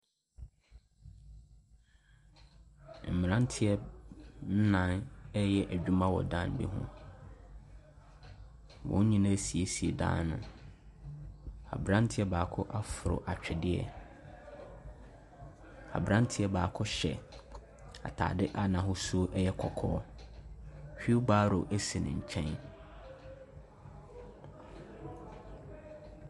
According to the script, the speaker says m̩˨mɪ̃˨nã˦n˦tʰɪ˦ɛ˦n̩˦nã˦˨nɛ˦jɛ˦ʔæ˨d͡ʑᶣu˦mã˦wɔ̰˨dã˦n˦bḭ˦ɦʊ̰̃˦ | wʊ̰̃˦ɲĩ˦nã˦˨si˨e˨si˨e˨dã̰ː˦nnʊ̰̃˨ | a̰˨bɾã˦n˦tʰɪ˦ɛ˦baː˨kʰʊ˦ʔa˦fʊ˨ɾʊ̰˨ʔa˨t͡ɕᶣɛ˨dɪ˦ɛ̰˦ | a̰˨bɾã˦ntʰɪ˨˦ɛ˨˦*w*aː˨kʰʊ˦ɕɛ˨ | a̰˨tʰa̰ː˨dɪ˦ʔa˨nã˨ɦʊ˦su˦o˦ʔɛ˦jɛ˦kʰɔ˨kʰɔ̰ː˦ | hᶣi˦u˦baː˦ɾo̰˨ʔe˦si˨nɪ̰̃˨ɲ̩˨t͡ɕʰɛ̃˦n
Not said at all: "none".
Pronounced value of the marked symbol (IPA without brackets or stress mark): b